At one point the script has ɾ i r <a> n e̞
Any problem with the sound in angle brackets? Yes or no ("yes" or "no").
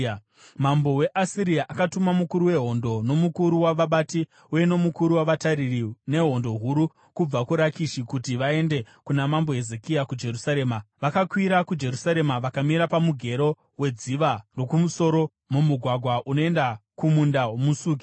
yes